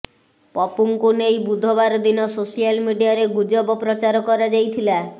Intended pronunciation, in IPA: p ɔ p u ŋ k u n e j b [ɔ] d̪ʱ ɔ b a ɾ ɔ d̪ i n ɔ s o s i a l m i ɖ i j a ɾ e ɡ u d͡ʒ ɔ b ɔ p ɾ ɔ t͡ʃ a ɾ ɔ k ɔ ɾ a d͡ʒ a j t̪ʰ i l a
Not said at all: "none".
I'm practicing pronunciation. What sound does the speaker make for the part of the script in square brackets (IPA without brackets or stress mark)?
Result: u